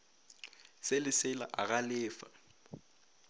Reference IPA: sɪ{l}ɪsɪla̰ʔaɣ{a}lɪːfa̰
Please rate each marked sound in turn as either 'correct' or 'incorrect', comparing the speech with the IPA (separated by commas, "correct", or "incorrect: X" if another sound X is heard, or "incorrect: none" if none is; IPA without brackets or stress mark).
correct, correct